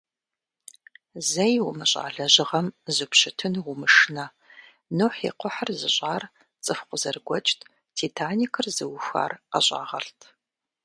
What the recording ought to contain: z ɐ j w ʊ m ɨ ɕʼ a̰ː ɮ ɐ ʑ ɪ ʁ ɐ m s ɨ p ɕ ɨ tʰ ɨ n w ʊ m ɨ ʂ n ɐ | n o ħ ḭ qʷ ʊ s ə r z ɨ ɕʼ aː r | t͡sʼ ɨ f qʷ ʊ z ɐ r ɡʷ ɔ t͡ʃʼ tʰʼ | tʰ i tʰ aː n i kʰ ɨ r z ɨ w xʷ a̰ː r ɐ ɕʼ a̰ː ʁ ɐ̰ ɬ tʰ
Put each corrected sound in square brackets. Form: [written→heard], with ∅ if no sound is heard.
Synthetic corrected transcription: z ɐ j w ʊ m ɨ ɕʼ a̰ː ɮ ɐ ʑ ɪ ʁ ɐ m [s→z] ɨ p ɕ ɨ tʰ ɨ n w ʊ m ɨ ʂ n ɐ | n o ħ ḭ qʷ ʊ [s→ħ] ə r z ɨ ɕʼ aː r | t͡sʼ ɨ f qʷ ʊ z ɐ r ɡʷ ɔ t͡ʃʼ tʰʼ | tʰ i tʰ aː n i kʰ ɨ r z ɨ w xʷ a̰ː r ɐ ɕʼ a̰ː ʁ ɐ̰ ɬ tʰ